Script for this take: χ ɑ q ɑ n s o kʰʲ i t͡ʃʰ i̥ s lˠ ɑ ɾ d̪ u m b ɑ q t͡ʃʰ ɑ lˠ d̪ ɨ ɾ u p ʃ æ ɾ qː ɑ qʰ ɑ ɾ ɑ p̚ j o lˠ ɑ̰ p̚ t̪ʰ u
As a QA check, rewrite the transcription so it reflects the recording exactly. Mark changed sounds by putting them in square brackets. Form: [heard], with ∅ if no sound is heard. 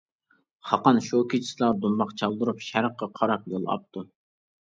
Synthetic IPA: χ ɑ q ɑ n [ʃ] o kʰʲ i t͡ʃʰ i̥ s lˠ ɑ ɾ d̪ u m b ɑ q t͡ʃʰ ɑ lˠ d̪ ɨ ɾ u p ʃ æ ɾ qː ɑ qʰ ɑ ɾ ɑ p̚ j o lˠ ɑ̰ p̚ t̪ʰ u